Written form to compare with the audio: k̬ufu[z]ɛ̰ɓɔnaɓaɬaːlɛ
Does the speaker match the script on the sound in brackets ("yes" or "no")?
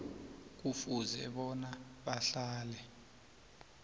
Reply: yes